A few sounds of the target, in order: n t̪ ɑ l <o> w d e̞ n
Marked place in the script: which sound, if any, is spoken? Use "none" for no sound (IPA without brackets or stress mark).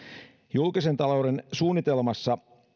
o